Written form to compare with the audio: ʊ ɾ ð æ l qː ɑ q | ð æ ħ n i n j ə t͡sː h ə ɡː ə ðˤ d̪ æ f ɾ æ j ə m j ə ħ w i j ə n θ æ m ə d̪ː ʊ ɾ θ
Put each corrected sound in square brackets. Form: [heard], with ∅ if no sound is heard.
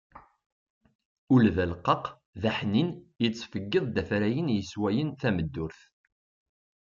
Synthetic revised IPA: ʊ [l] ð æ l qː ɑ q | ð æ ħ n i n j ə t͡sː [f] ə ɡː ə ðˤ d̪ æ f ɾ æ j ə [n] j ə [s] w [æ] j ə n θ æ m ə d̪ː ʊ ɾ θ